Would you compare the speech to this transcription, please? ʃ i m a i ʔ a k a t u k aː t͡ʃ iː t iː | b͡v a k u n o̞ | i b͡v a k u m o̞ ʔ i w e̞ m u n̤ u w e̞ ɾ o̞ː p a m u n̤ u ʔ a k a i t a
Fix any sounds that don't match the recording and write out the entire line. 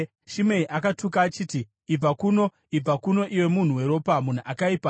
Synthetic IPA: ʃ i m e i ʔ a k a t u k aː t͡ʃ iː t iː | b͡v a k u n o̞ | i b͡v a k u n o̞ ʔ i w e̞ m u n̤ u w e̞ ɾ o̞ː p a m u n̤ u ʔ a k a i p a